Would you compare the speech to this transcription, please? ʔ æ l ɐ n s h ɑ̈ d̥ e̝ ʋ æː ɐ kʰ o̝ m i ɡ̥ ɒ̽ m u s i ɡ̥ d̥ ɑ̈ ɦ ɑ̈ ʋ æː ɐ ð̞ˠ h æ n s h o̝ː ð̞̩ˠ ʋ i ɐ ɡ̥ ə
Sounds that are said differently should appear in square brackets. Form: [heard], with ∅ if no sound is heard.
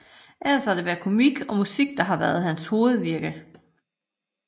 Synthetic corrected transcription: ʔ æ l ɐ [∅] s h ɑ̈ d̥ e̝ ʋ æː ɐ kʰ o̝ m i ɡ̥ ɒ̽ m u s i ɡ̥ d̥ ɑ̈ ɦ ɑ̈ ʋ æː ɐ ð̞ˠ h æ n s h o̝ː ð̞̩ˠ ʋ i ɐ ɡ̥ ə